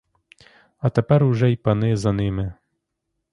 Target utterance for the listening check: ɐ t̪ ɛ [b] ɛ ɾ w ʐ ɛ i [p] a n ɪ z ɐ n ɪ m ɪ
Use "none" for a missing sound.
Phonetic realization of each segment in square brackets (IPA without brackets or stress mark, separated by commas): p, p